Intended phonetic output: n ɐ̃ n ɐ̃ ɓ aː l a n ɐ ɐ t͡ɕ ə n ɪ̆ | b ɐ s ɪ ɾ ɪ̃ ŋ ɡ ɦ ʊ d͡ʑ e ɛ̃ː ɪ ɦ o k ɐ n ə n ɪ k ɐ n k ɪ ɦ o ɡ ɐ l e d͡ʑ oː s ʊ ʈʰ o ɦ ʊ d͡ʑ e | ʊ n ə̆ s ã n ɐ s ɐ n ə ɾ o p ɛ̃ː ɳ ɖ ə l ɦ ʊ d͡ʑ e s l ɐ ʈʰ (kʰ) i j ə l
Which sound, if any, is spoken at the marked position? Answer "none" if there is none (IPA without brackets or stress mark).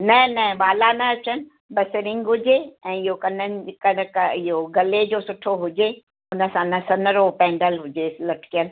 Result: k